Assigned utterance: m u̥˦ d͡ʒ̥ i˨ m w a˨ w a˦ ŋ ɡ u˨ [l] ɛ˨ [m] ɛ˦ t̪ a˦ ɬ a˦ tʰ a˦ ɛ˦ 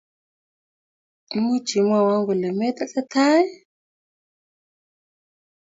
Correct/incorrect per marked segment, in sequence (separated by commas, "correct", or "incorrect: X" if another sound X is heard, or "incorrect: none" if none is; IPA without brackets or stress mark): correct, correct